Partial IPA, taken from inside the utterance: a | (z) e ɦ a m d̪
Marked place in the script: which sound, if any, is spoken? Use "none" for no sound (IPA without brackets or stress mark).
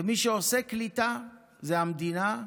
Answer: z